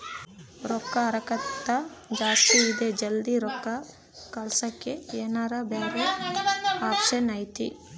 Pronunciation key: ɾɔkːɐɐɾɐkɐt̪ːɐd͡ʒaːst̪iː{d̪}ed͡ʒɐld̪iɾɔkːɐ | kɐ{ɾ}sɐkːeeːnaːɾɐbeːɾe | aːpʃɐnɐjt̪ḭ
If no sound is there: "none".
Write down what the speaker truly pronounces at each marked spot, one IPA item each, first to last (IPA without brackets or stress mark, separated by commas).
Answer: d̪, l